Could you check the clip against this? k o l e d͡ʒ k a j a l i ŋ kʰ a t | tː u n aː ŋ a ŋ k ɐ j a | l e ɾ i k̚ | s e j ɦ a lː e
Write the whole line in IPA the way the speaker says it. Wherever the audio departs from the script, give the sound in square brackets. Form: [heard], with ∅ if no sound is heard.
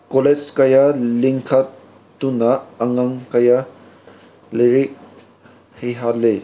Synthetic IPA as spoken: k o l e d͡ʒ k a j a l i ŋ kʰ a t | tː u n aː ŋ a ŋ k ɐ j a | l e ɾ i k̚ | [h] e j ɦ a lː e